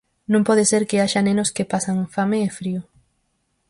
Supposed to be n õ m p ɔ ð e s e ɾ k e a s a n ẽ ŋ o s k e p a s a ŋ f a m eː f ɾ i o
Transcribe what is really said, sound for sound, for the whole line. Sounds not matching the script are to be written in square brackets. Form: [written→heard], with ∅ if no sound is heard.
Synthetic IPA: n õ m p ɔ ð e s e ɾ k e a [s→ʃ] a n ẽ [ŋ→n] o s k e p a s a ŋ f a m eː f ɾ i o